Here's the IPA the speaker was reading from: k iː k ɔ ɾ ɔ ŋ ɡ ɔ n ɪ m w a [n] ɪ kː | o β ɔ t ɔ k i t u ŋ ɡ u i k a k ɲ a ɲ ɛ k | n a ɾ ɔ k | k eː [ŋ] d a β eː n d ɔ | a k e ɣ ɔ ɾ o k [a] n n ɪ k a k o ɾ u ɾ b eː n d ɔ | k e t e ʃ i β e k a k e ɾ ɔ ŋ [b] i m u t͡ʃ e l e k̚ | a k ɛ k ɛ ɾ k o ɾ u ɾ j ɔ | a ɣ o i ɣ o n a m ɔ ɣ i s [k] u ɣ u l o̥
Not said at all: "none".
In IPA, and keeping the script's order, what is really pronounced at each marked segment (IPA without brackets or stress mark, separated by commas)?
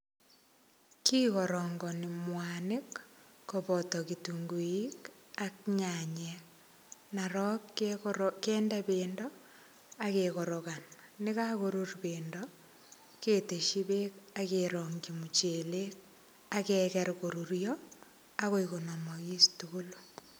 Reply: n, n, a, ɡ, t